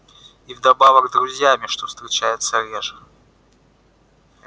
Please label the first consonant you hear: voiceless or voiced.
voiced